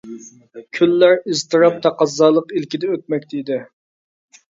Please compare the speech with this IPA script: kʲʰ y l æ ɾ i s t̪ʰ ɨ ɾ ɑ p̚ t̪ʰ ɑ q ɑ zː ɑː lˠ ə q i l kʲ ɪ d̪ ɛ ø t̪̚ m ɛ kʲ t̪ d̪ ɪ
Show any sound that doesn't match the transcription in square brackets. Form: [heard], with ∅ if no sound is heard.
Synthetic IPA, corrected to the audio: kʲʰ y [lː] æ ɾ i [z] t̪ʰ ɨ ɾ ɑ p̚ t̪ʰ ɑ q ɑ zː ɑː lˠ ə q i l kʲ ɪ d̪ ɛ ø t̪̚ m ɛ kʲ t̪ d̪ ɪ

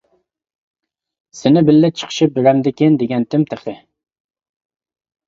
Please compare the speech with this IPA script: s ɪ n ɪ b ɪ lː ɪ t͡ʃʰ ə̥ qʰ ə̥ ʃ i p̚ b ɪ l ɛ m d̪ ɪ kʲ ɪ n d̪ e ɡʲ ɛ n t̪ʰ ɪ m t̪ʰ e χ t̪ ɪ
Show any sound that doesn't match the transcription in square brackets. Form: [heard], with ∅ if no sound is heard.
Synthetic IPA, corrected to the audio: s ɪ n ɪ b ɪ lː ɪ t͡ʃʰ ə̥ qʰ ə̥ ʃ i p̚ b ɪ [ɾ] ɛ m d̪ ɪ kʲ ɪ n d̪ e ɡʲ ɛ n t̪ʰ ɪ m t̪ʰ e χ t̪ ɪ

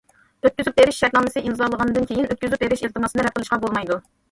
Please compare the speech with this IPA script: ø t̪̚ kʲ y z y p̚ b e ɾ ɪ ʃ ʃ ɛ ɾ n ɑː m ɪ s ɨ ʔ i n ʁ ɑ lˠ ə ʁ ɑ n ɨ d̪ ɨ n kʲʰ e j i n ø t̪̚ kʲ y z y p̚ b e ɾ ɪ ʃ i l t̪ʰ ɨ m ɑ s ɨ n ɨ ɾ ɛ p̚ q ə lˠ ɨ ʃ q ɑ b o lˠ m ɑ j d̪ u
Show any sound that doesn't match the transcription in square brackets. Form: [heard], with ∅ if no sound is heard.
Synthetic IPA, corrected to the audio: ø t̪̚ kʲ y z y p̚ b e ɾ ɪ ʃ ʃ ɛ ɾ n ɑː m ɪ s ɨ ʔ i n [z] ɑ lˠ ə ʁ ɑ n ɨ d̪ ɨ n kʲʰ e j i n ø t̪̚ kʲ y z y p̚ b e ɾ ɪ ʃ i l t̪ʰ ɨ m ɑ s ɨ n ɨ ɾ ɛ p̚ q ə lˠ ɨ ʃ q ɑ b o lˠ m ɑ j d̪ u

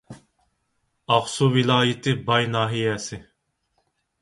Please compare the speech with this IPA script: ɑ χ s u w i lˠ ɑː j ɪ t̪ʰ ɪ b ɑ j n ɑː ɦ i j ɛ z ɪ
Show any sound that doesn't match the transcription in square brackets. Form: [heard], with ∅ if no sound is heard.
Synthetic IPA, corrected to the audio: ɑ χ s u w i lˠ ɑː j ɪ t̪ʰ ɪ b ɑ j n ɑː ɦ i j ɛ [s] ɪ

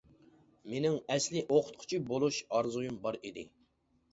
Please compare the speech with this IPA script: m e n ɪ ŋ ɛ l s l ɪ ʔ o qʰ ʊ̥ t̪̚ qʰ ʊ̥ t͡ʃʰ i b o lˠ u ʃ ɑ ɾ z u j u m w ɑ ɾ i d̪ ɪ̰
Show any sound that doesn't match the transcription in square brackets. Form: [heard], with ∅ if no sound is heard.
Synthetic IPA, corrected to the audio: m e n ɪ ŋ ɛ [∅] s l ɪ ʔ o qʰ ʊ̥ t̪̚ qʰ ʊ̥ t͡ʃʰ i b o lˠ u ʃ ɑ ɾ z u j u m [b] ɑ ɾ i d̪ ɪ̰

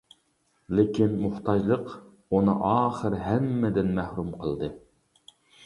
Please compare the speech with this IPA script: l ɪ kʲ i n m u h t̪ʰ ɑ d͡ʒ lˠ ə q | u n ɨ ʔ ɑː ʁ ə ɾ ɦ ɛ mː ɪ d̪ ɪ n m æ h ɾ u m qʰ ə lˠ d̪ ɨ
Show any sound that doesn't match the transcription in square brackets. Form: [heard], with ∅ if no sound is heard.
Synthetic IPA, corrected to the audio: l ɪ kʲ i n m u h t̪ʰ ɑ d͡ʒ lˠ ə q | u n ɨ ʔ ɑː [χ] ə ɾ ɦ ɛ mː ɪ d̪ ɪ n m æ h ɾ u m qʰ ə lˠ d̪ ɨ

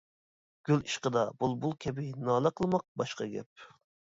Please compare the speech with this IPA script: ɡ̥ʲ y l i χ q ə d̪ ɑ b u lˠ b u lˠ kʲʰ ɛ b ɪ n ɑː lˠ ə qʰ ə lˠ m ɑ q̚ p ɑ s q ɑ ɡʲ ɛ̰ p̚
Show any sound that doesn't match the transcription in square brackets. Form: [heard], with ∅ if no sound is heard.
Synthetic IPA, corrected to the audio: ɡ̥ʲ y l i [ʃ] q ə d̪ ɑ b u lˠ b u lˠ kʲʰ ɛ b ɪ n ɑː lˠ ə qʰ ə lˠ m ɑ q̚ [b] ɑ [ʃ] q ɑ ɡʲ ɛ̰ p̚

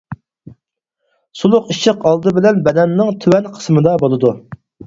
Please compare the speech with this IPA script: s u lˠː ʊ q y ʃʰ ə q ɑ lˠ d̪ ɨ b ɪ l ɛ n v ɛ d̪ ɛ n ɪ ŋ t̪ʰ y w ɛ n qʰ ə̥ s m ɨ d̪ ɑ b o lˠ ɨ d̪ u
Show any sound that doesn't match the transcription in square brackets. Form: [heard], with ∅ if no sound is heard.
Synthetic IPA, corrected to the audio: s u [lˠ] ʊ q [i] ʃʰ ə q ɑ lˠ d̪ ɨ b ɪ l ɛ n [b] ɛ d̪ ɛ [nː] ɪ ŋ t̪ʰ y w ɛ n qʰ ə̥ s m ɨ d̪ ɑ b o lˠ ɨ d̪ u

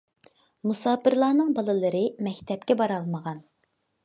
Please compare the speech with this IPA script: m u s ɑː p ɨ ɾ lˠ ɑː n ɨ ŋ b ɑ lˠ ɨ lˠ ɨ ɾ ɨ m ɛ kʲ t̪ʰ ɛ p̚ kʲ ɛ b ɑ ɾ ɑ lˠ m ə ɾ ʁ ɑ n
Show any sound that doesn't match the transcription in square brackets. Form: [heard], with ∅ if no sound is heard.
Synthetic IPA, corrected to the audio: m u s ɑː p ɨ ɾ lˠ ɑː n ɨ ŋ b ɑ lˠ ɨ lˠ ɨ ɾ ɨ m ɛ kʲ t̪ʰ ɛ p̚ kʲ ɛ b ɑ ɾ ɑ lˠ m ə [∅] ʁ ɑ n

